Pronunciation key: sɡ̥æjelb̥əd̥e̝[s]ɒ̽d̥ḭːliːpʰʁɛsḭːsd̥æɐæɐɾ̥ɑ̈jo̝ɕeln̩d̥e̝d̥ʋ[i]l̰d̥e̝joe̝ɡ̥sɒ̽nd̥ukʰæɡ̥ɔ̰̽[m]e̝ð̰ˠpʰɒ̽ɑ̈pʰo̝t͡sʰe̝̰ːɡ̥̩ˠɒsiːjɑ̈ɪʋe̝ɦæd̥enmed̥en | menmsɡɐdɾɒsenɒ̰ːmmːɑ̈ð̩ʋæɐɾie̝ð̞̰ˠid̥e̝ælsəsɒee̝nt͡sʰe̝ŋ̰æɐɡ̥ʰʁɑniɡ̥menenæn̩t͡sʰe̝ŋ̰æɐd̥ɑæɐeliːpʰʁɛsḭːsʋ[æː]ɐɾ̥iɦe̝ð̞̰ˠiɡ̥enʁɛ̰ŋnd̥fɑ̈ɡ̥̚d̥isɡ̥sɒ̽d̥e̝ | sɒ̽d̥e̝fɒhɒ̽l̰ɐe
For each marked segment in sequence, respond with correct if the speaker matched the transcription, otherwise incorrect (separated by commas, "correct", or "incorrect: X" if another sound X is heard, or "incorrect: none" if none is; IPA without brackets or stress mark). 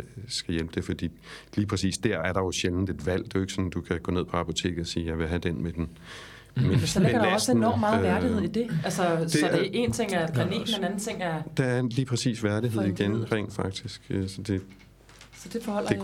incorrect: f, incorrect: æ, incorrect: n, incorrect: æ